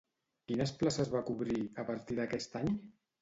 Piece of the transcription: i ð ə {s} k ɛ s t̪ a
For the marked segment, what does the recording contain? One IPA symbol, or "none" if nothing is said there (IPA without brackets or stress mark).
none